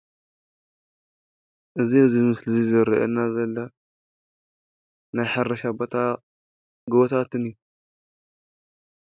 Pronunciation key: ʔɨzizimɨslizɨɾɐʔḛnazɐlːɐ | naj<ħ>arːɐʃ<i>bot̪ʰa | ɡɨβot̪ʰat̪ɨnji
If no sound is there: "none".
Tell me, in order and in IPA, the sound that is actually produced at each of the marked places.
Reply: ħ, a

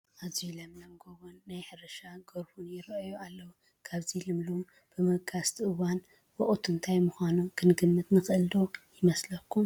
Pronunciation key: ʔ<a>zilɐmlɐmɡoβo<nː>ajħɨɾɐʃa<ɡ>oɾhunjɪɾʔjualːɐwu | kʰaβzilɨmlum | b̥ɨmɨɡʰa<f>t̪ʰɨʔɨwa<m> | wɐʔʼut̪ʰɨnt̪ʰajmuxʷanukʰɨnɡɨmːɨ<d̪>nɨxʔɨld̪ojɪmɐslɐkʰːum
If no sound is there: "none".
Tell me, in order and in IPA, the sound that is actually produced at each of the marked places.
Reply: a, nː, ɡ, s, n, t̪

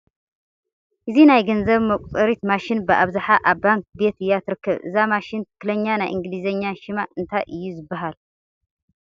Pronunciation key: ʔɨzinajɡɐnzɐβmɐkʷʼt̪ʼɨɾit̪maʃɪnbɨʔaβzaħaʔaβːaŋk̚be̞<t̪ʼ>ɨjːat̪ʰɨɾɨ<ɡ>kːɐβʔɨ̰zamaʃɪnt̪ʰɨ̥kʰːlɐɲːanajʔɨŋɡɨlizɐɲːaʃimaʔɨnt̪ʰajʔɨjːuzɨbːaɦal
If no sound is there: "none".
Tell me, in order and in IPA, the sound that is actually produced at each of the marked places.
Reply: t̪, none

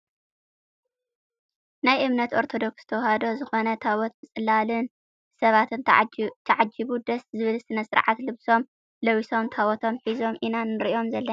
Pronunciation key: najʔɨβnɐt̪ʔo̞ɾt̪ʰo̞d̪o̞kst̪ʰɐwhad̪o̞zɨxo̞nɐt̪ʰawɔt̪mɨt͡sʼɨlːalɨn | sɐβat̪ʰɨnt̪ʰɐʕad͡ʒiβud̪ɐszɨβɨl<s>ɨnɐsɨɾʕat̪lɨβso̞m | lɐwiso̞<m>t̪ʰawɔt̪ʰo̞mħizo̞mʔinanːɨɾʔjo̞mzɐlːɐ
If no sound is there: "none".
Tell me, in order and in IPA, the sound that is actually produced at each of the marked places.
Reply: s, m

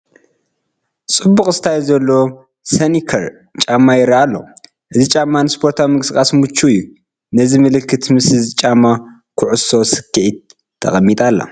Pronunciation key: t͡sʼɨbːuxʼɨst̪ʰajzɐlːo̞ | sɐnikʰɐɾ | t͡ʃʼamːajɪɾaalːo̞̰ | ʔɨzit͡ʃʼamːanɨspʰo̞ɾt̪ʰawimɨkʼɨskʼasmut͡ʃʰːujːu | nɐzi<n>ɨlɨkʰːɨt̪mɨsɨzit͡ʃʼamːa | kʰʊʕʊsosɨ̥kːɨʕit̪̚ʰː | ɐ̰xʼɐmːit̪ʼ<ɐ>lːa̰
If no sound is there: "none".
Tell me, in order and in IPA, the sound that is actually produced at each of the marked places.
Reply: m, a

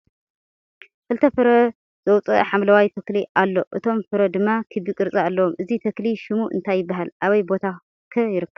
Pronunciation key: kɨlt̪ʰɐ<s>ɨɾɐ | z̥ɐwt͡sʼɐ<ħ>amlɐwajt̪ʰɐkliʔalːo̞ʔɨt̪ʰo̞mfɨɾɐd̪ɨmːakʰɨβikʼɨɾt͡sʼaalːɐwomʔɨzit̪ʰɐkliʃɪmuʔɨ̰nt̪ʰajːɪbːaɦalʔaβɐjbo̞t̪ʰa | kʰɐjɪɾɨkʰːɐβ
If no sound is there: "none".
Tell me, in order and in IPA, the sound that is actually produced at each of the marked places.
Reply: f, ħ

